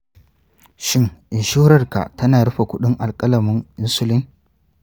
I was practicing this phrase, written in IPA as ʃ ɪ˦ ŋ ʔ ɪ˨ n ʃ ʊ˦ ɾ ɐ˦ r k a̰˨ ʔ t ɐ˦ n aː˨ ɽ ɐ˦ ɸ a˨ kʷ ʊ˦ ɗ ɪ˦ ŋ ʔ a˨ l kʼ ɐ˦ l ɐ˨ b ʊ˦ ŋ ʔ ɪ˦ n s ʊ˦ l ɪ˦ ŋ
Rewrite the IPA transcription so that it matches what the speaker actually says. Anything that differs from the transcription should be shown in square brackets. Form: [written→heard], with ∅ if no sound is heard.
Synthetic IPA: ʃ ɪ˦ ŋ ʔ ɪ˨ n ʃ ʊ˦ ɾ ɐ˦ r k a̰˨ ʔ t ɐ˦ n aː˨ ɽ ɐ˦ ɸ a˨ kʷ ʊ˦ ɗ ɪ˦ ŋ ʔ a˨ l kʼ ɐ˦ l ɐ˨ [b→m] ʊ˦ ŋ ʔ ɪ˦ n s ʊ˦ l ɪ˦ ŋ